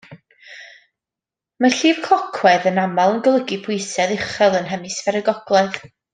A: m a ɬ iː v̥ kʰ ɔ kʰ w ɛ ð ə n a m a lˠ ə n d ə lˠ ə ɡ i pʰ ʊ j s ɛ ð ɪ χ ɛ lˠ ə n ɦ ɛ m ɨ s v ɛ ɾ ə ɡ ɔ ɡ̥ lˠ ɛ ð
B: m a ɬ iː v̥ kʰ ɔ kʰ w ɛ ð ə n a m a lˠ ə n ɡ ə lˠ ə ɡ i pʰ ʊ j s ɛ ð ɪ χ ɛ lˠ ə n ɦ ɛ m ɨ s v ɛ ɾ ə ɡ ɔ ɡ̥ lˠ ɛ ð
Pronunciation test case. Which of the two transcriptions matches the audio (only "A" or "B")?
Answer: B